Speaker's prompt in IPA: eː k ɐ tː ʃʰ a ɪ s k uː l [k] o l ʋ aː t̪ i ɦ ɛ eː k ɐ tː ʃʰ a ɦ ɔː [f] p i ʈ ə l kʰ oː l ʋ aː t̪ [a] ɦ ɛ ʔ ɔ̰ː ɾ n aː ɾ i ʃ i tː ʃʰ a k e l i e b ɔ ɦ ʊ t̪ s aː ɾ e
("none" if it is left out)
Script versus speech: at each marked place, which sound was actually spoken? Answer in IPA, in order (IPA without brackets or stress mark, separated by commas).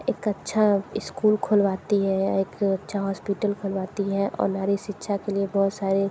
kʰ, s, i